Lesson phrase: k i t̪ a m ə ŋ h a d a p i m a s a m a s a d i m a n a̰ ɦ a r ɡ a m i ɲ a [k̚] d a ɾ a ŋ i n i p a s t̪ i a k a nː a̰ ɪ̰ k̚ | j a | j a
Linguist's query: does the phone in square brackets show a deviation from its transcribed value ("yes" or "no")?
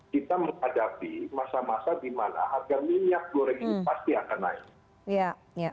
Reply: no